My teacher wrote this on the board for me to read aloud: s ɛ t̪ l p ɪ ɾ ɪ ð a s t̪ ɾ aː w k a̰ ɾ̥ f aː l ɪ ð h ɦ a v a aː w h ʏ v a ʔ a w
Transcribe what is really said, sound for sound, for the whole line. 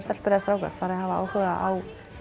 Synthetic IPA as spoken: s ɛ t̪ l p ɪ ɾ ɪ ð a s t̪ ɾ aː w k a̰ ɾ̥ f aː ɾ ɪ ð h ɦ a v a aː w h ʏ ɣ a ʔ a w